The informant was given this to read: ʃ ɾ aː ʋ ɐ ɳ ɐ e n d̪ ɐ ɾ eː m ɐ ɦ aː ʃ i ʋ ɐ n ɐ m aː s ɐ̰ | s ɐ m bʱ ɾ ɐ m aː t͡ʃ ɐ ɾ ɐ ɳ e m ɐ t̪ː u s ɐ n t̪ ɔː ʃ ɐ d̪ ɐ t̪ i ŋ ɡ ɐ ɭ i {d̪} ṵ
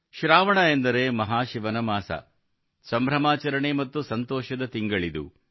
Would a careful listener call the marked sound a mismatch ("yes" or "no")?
no